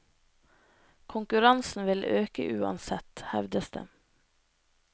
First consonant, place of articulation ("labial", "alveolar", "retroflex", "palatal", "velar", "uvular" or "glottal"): velar